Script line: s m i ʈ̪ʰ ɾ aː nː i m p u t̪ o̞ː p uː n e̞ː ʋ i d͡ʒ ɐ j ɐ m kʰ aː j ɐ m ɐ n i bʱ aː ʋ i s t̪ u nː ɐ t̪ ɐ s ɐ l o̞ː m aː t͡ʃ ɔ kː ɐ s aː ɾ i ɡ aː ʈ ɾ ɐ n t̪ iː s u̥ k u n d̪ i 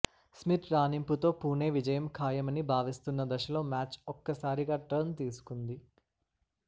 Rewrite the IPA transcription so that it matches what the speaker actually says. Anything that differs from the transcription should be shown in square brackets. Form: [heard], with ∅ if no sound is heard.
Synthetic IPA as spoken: s m i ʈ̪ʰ ɾ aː [n] i m p u t̪ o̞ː p uː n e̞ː ʋ i d͡ʒ ɐ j ɐ m kʰ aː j ɐ m ɐ n i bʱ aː ʋ i s t̪ u nː ɐ [d̪] ɐ [ʃ] ɐ l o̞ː m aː t͡ʃ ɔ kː ɐ s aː ɾ i ɡ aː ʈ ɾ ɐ n t̪ iː s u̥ k u n d̪ i